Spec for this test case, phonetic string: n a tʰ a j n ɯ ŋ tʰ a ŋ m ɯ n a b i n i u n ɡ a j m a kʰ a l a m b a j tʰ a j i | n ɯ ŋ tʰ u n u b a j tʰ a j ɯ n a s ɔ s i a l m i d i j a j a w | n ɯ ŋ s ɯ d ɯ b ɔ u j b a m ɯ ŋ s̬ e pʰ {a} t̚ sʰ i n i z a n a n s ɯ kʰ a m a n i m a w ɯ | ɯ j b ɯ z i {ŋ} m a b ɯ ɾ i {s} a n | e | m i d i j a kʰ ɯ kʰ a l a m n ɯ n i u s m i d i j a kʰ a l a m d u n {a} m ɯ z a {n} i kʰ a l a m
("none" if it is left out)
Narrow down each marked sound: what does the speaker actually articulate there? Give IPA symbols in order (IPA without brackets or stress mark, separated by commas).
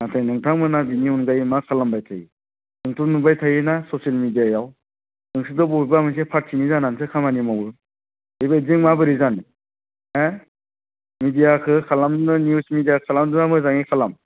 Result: a, ŋ, z, a, ŋ